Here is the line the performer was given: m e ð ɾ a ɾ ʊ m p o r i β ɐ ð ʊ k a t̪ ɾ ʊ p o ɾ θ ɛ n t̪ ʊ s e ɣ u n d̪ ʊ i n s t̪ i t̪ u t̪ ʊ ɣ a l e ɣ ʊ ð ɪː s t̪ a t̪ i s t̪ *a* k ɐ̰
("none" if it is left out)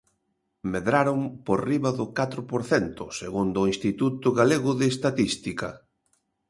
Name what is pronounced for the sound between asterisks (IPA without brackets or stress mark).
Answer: i